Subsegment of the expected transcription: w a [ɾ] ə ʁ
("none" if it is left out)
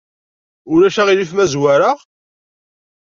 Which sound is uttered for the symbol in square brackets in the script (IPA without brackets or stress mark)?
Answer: ɾ